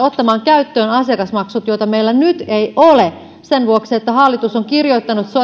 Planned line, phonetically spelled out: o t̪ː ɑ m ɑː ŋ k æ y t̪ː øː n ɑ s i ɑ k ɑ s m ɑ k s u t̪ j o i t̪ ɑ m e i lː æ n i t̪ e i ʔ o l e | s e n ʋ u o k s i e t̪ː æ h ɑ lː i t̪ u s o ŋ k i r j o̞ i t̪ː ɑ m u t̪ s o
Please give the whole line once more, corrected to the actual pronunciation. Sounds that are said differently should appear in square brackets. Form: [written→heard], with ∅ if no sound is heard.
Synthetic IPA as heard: o t̪ː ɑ m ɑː ŋ k æ y t̪ː øː n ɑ s i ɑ k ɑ s m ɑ k s u t̪ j o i t̪ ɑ m e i lː æ n [i→y] t̪ e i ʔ o l e | s e n ʋ u o k s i e t̪ː æ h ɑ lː i t̪ u s o ŋ k i r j o̞ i t̪ː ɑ [m→n] u t̪ s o